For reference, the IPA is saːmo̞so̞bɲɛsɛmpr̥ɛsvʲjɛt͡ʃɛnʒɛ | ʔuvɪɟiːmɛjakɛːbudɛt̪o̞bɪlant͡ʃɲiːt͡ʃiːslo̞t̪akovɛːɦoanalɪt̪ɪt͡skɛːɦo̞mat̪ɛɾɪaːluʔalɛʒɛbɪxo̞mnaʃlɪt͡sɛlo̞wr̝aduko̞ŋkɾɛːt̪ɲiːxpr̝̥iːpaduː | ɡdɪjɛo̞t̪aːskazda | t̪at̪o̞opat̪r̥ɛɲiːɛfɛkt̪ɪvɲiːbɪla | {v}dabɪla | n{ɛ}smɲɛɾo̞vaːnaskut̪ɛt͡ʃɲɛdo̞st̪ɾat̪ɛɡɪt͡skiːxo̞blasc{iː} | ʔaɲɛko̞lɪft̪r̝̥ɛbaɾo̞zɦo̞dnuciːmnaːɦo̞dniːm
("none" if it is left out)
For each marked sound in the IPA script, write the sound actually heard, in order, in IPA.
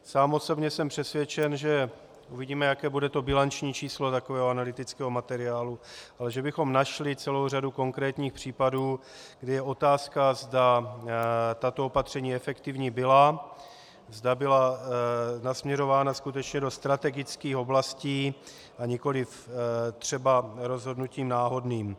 z, a, iː

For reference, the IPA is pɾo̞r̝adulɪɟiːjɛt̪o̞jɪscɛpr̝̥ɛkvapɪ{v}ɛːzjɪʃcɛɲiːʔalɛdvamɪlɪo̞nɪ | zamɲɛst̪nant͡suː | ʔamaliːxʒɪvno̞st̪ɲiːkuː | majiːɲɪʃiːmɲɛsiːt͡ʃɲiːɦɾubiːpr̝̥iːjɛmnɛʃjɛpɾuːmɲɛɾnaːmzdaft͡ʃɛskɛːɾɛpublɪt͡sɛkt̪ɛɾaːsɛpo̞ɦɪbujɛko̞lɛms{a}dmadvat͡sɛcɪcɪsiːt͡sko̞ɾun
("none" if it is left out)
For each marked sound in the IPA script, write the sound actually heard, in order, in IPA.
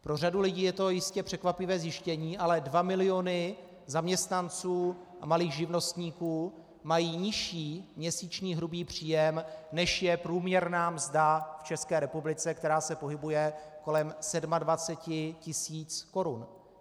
v, ɛ

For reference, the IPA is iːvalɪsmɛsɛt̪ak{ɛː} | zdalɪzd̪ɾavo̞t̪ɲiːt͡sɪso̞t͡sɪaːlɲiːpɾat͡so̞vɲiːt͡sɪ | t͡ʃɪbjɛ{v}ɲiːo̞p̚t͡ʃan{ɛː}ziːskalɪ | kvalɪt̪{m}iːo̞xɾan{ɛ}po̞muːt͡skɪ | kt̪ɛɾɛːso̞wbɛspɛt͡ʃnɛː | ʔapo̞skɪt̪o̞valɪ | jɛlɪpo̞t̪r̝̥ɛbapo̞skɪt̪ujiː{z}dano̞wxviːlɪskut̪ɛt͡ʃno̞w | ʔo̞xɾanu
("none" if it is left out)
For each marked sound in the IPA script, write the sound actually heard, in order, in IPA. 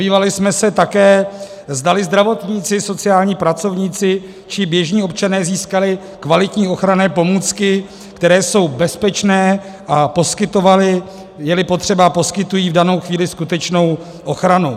ɛː, ʒ, ɛː, ɲ, ɛː, v

